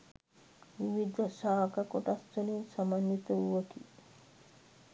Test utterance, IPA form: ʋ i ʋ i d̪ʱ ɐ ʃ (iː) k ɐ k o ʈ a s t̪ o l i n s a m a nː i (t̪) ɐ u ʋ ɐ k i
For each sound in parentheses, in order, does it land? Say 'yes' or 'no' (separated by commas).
no, yes